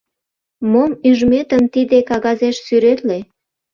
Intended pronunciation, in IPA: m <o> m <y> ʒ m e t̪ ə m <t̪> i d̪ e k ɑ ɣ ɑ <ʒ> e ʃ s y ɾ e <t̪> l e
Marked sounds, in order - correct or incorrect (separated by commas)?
correct, correct, correct, incorrect, correct